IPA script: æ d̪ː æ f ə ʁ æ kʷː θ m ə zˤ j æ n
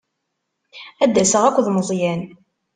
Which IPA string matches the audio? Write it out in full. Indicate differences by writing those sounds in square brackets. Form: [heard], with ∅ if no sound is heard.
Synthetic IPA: æ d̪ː æ [s] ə ʁ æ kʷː [ð] m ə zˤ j æ n